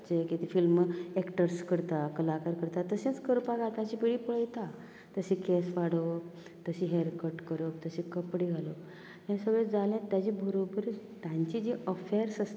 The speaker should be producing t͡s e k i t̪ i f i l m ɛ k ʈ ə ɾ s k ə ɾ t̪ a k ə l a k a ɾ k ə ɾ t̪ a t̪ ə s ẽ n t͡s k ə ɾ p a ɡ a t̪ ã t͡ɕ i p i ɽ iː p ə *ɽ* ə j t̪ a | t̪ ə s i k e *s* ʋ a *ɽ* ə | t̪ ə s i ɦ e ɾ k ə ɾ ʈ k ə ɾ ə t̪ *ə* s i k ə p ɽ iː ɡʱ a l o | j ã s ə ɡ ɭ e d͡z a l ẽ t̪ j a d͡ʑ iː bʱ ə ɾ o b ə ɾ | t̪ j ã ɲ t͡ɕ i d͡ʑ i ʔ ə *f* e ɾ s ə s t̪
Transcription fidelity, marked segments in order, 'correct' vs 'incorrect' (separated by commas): incorrect, correct, correct, correct, correct